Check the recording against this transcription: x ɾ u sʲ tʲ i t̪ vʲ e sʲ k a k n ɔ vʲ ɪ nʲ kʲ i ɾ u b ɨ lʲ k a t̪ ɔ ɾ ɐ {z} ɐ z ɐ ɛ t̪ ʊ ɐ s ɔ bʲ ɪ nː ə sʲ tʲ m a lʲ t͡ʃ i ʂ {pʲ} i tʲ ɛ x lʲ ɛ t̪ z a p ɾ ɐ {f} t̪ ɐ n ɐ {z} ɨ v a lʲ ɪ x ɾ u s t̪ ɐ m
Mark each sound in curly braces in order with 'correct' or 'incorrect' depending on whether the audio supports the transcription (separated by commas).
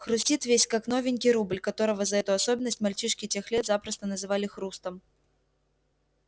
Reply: incorrect, incorrect, incorrect, correct